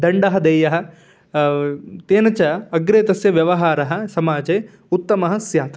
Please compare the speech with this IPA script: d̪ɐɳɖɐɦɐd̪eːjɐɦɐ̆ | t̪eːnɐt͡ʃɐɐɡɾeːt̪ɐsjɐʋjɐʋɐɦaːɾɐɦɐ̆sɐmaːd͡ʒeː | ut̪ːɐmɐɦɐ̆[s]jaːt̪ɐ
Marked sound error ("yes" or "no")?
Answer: no